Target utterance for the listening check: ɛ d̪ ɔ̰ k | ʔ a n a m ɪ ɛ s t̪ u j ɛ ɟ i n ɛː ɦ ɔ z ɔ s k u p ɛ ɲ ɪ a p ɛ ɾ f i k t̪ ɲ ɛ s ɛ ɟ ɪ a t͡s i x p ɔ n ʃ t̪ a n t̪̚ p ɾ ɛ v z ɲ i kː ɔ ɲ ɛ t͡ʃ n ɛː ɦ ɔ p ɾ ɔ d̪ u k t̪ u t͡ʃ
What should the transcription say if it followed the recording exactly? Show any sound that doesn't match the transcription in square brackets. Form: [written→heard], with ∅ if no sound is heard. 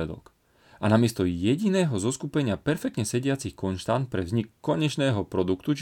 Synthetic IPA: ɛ d̪ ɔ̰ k | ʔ a n a m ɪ ɛ s t̪ [u→ɔ] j ɛ ɟ i n ɛː ɦ ɔ z ɔ s k u p ɛ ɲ ɪ a p ɛ ɾ f [i→ɛ] k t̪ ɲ ɛ s ɛ ɟ ɪ a t͡s i x [p→k] ɔ n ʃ t̪ a n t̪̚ p ɾ ɛ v z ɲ i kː ɔ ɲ ɛ t͡ʃ n ɛː ɦ ɔ p ɾ ɔ d̪ u k t̪ u t͡ʃ